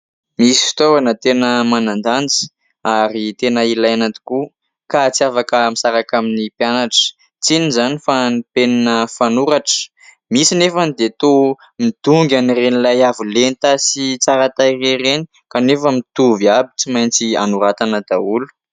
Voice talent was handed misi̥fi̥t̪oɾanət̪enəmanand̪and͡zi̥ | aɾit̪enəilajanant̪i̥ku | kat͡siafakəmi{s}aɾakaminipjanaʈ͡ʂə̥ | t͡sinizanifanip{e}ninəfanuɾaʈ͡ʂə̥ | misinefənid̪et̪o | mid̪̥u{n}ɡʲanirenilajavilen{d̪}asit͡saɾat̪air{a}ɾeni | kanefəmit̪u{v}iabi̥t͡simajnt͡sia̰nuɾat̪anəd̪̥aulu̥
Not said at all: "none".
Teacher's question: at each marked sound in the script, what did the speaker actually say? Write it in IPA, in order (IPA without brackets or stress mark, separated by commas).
s, e, ŋ, t̪, e, v